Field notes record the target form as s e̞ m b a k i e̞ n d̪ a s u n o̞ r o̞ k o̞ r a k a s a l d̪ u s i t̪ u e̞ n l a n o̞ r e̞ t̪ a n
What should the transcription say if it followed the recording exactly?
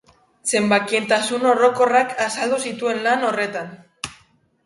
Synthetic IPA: s e̞ m b a k i e̞ n t̪ a s u n o̞ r o̞ k o̞ r a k a s a l d̪ u s i t̪ u e̞ n l a n o̞ r e̞ t̪ a n